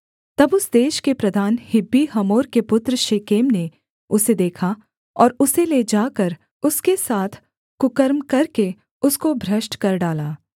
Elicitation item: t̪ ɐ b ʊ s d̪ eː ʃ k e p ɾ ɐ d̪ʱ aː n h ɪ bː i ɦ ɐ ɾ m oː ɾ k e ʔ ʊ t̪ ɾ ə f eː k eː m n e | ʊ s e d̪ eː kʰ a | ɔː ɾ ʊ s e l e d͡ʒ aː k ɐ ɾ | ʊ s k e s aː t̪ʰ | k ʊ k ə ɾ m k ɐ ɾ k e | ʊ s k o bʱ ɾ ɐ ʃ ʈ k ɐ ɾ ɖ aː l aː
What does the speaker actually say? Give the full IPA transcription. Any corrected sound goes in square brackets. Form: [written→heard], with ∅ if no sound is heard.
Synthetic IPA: t̪ ɐ b ʊ s d̪ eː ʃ k e p ɾ ɐ d̪ʱ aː n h ɪ bː i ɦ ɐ [ɾ→∅] m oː ɾ k e [ʔ→p] ʊ t̪ ɾ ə [f→ʃ] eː k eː m n e | ʊ s e d̪ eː kʰ a | ɔː ɾ ʊ s e l e d͡ʒ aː k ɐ ɾ | ʊ s k e s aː t̪ʰ | k ʊ k ə ɾ m k ɐ ɾ k e | ʊ s k o bʱ ɾ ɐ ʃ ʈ k ɐ ɾ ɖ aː l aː